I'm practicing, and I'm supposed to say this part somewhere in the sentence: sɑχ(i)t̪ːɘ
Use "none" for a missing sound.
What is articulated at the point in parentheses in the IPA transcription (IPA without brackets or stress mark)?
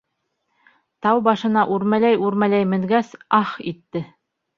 i